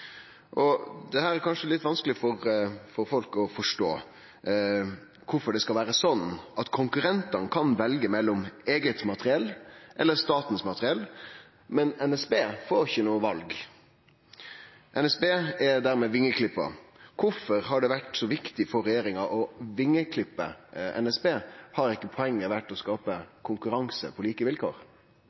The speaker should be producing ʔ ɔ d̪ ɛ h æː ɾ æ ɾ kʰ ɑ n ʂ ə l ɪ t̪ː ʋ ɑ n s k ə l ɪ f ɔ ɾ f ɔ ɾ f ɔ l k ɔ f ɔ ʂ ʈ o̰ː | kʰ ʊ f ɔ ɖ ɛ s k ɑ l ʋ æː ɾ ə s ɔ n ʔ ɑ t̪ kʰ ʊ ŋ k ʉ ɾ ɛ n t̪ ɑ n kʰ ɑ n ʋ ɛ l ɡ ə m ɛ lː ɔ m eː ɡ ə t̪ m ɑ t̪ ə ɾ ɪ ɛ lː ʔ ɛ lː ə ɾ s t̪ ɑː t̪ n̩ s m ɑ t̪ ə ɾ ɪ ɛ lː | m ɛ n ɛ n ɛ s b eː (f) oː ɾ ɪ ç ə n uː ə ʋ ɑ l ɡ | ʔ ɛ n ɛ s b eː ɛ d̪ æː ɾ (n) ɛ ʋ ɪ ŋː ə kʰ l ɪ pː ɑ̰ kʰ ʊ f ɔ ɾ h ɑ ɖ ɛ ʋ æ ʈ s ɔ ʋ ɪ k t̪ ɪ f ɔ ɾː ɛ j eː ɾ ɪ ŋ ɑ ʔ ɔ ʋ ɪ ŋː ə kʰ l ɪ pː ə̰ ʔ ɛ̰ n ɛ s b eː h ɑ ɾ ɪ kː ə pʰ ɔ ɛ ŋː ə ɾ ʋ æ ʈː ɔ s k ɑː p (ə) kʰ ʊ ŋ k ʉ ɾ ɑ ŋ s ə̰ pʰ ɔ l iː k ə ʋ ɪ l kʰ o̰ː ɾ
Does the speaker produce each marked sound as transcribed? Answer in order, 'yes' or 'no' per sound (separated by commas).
yes, no, yes